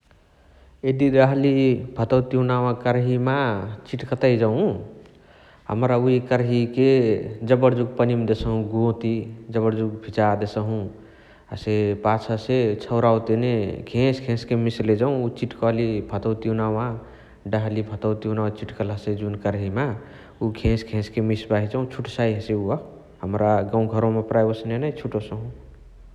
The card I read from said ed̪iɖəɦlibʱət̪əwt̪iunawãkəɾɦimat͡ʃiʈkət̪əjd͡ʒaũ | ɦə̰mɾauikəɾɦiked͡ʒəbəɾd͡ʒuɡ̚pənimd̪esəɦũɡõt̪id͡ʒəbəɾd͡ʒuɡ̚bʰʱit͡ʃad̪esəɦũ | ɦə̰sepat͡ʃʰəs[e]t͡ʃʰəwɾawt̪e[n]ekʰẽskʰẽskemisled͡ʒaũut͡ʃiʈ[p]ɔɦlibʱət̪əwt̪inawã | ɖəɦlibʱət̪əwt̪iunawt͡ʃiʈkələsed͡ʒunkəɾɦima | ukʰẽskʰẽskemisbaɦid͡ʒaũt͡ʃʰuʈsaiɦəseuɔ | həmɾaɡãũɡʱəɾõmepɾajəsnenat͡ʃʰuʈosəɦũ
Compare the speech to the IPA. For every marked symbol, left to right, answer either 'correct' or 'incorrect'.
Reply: correct, correct, incorrect: k

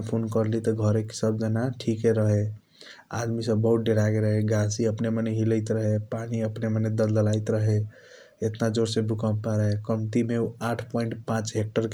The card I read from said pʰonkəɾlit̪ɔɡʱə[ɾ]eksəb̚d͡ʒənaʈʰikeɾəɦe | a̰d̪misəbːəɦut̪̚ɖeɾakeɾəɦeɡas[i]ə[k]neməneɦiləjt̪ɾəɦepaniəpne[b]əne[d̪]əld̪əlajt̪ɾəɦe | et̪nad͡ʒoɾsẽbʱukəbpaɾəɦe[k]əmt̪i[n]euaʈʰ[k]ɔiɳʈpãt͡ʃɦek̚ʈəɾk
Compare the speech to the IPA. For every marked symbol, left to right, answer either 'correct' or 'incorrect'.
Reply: correct, correct, incorrect: p, incorrect: m, correct, correct, incorrect: m, incorrect: p

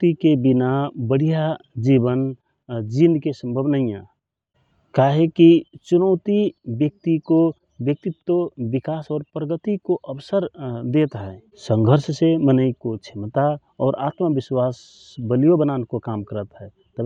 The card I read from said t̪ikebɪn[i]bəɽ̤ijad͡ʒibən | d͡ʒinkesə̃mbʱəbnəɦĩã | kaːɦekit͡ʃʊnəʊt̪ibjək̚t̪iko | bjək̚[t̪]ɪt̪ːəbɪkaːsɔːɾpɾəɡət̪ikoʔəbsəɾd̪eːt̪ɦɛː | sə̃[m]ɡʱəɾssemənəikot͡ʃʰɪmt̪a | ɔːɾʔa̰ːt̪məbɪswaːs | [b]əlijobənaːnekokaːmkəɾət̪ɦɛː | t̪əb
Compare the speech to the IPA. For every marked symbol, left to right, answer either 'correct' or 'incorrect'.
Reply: incorrect: a, correct, incorrect: ŋ, correct

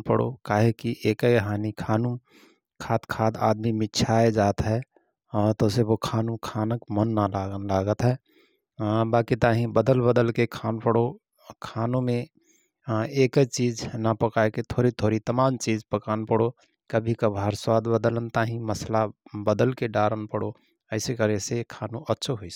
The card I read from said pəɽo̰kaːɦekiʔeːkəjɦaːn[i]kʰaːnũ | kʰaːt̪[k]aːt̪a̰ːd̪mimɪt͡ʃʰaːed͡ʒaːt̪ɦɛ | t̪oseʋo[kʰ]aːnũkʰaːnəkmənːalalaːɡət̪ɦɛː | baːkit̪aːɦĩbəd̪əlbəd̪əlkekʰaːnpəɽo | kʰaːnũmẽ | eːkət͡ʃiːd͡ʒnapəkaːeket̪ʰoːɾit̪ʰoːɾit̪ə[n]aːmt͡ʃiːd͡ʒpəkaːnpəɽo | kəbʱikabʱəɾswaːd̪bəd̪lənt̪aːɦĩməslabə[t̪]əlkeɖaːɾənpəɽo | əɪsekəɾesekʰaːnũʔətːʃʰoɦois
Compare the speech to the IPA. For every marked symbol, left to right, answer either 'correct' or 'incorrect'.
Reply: correct, incorrect: kʰ, correct, incorrect: m, incorrect: d̪

